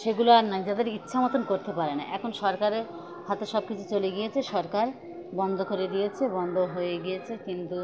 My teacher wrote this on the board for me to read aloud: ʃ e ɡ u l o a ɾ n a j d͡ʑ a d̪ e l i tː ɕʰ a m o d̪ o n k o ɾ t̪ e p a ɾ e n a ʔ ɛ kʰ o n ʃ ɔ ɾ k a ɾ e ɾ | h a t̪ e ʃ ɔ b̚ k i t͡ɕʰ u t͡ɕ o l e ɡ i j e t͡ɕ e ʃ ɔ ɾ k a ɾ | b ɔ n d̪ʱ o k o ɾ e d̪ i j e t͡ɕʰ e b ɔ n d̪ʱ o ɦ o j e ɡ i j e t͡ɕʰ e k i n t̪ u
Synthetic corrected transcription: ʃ e ɡ u l o a ɾ n a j d͡ʑ a d̪ e ɾ i tː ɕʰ a m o t̪ o n k o ɾ t̪ e p a ɾ e n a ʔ ɛ kʰ o n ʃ ɔ ɾ k a ɾ e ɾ | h a t̪ e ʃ ɔ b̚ k i t͡ɕʰ u t͡ɕ o l e ɡ i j e t͡ɕʰ e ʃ ɔ ɾ k a ɾ | b ɔ n d̪ʱ o k o ɾ e d̪ i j e t͡ɕʰ e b ɔ n d̪ʱ o ɦ o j e ɡ i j e t͡ɕʰ e k i n t̪ u